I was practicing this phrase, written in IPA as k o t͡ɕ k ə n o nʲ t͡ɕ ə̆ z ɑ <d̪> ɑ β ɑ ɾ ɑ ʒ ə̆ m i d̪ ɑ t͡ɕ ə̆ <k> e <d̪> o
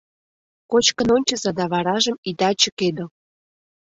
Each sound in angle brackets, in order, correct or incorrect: correct, correct, correct

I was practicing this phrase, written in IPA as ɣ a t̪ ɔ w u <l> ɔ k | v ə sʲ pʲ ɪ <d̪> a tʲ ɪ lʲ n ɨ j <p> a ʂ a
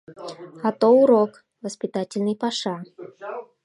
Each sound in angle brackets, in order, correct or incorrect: incorrect, incorrect, correct

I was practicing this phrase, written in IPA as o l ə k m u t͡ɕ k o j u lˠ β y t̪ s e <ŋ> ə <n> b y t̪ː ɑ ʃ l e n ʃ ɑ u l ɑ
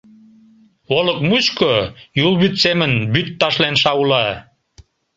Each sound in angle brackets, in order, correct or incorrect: incorrect, correct

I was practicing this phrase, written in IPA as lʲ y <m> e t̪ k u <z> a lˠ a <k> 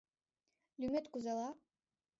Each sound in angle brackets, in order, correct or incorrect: correct, correct, incorrect

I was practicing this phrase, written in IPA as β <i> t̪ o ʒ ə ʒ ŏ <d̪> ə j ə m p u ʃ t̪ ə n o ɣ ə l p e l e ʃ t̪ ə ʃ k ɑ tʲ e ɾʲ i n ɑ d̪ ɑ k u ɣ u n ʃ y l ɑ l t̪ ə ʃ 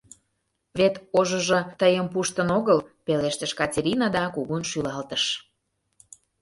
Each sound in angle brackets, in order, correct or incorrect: incorrect, incorrect

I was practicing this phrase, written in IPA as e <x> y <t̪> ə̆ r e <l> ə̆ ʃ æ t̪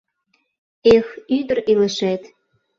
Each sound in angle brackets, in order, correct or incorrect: correct, incorrect, correct

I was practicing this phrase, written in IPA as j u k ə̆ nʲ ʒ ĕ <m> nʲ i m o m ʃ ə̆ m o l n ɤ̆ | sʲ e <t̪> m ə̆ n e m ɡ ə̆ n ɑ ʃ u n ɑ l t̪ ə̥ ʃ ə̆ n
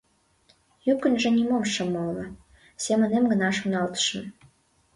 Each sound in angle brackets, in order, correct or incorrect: incorrect, incorrect

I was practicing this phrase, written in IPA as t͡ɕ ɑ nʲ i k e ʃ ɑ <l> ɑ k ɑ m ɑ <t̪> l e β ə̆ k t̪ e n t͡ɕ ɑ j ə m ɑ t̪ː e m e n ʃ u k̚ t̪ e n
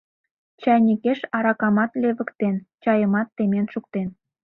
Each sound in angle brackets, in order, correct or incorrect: incorrect, correct

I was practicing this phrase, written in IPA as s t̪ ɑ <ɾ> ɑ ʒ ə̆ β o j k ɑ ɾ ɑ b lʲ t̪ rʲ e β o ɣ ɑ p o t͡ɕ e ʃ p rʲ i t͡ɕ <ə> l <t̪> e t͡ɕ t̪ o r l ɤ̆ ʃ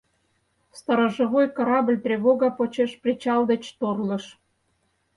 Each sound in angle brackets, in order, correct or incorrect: correct, incorrect, incorrect

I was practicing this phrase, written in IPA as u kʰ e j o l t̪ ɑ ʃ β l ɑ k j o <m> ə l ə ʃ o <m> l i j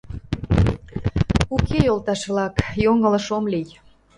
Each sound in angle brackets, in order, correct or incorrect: incorrect, correct

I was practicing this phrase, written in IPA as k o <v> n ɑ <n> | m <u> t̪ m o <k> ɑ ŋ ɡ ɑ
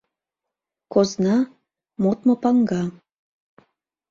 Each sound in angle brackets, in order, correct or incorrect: incorrect, incorrect, incorrect, incorrect

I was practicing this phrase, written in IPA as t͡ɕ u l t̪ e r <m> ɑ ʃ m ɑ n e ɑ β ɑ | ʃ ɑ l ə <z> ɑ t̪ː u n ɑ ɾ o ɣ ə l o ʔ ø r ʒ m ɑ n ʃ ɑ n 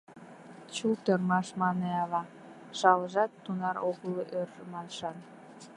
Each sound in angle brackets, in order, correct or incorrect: correct, incorrect

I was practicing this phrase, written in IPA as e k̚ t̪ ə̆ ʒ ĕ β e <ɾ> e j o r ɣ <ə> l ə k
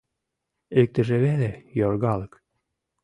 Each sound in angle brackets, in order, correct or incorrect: incorrect, incorrect

